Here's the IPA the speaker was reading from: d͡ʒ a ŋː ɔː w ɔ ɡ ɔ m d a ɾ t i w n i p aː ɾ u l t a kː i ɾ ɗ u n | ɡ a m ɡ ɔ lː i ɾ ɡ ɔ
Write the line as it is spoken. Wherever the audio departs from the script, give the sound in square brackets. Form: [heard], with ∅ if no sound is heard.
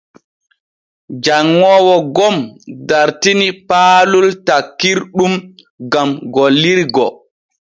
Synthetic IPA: d͡ʒ a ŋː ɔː w ɔ ɡ ɔ m d a ɾ t i [∅] n i p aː [l] u l t a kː i ɾ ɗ u [m] | ɡ a m ɡ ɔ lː i ɾ ɡ ɔ